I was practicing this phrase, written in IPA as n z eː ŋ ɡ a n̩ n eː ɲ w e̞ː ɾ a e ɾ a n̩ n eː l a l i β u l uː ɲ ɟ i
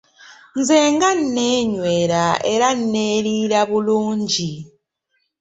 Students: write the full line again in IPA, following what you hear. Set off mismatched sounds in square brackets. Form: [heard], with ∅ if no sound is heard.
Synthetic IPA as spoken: n z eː ŋ ɡ a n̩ n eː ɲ w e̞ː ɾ a e ɾ a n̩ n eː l [i] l [a] β u l uː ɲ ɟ i